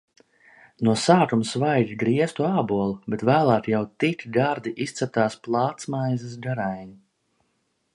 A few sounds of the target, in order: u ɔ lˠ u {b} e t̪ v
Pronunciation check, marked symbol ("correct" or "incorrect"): correct